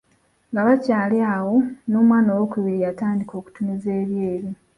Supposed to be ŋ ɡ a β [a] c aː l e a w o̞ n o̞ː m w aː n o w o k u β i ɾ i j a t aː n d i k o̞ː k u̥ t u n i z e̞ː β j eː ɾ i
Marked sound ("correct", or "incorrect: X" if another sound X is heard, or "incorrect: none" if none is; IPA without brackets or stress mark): correct